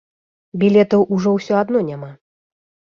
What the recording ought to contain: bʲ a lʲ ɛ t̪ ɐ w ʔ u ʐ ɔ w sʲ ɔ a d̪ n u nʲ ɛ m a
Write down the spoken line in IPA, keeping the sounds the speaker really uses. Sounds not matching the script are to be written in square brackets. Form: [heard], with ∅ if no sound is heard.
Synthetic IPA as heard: bʲ [i] lʲ ɛ t̪ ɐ w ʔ u ʐ ɔ w sʲ ɔ a d̪ n [ɔ] nʲ [a] m a